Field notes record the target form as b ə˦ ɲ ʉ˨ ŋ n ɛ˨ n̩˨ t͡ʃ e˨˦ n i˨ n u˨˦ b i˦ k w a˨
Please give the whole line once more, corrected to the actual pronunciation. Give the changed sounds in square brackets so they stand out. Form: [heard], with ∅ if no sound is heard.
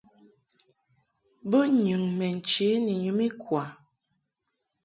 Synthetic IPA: b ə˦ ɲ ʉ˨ ŋ [m] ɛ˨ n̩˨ t͡ʃ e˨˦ n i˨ [ɲ] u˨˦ [m] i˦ k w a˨